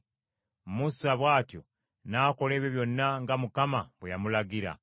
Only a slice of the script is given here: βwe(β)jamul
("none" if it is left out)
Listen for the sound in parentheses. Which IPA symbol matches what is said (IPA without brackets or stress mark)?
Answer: none